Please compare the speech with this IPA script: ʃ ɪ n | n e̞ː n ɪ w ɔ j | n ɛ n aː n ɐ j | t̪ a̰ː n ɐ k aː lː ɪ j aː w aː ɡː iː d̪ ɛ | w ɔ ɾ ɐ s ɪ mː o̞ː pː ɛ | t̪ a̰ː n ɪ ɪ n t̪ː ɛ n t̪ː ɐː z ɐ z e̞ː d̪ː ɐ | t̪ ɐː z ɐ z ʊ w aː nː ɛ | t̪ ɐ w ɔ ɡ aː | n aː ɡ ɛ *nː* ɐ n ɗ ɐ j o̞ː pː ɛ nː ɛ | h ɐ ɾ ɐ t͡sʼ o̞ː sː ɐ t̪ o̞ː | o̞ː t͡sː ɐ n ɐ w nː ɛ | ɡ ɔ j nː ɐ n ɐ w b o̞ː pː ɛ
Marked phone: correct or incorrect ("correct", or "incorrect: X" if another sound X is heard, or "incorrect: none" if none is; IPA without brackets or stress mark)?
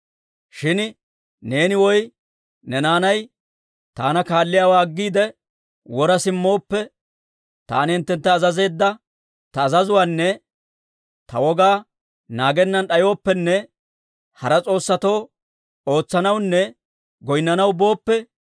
correct